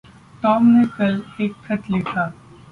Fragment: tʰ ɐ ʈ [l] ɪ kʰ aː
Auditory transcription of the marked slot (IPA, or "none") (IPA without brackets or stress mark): l